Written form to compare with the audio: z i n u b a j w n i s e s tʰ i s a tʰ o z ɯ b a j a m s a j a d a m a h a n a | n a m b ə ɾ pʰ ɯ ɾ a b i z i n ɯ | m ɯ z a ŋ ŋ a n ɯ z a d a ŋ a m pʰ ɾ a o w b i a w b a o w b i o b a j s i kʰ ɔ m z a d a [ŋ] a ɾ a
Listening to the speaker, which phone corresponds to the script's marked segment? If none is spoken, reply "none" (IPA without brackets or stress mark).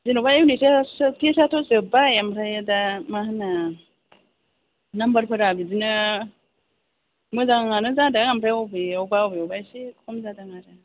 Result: ŋ